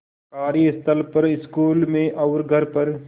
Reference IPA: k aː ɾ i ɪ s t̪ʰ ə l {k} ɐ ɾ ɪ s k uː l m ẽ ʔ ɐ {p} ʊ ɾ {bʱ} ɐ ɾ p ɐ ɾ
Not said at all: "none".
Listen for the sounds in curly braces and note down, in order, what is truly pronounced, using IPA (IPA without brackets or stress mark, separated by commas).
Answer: p, none, ɡʱ